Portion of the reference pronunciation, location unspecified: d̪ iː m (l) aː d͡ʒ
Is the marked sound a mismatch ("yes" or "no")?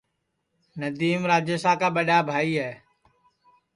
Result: yes